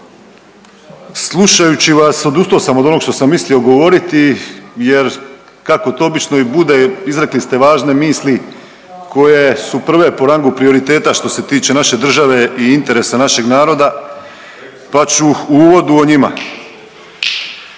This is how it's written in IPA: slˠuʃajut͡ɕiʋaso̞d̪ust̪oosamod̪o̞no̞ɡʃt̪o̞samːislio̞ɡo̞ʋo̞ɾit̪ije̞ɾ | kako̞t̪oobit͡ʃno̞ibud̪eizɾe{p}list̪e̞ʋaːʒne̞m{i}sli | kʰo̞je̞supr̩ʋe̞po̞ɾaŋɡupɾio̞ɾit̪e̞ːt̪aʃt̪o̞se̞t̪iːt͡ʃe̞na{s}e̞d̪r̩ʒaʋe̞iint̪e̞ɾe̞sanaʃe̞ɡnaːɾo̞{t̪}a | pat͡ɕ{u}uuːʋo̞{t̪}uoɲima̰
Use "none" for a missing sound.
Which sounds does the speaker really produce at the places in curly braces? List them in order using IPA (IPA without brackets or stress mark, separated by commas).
k, iː, ʃ, d̪, u, d̪